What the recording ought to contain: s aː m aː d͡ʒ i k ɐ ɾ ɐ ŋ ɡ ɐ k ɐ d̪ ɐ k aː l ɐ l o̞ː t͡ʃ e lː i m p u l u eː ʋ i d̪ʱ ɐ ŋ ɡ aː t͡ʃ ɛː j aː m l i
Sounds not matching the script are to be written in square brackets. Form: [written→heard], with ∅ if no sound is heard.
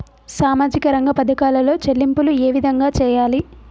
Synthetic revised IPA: s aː m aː d͡ʒ i k ɐ ɾ ɐ ŋ ɡ ɐ [k→p] ɐ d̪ ɐ k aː l ɐ l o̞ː t͡ʃ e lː i m p u l u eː ʋ i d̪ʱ ɐ ŋ ɡ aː t͡ʃ ɛː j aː [m→∅] l i